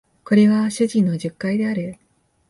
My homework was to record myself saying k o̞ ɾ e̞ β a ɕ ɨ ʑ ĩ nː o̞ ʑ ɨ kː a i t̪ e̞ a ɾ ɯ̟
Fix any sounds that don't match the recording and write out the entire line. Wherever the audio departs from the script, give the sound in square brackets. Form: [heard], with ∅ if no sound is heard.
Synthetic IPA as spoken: k o̞ ɾ e̞ β a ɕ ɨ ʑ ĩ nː o̞ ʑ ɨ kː a i [d̪] e̞ a ɾ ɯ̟